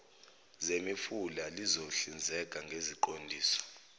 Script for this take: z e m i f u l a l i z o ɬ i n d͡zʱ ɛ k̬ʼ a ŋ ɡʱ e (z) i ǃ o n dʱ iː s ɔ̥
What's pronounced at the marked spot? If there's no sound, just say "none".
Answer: z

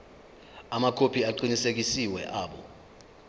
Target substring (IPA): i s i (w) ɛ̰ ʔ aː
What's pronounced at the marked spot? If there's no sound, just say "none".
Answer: w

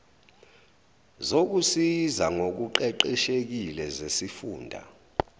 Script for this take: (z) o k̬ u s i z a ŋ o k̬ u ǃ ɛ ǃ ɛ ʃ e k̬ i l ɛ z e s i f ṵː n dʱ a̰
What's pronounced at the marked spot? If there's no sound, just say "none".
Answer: z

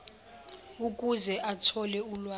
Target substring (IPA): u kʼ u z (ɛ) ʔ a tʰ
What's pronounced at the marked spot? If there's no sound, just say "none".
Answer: ɛ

